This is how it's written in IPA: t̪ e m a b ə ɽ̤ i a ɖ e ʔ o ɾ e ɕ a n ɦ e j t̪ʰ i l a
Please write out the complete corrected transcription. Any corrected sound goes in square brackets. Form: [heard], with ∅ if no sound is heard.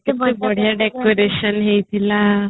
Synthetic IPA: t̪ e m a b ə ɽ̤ [j] a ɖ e [k] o ɾ e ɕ [ə] n ɦ e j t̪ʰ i l a